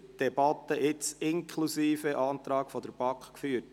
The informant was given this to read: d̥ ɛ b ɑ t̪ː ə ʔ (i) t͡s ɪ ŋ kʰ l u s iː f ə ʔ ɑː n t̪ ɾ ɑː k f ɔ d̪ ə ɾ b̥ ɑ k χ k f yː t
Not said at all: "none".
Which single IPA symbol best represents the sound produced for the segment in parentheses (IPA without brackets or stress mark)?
ɪ